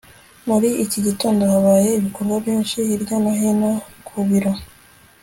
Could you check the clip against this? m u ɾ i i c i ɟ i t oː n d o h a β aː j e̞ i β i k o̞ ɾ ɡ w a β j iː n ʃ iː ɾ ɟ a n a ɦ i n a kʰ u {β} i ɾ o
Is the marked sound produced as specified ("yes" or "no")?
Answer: yes